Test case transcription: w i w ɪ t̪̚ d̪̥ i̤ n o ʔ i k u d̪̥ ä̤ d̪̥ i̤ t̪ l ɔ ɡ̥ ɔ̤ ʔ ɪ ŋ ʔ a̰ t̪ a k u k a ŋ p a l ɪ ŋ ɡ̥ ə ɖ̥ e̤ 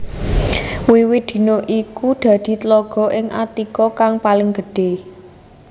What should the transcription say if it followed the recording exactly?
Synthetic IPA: w i w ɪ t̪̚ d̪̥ i̤ n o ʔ i k u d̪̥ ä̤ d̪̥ i̤ t̪ l ɔ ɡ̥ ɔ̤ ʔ ɪ ŋ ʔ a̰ t̪ i k ɔ k a ŋ p a l ɪ ŋ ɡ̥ ə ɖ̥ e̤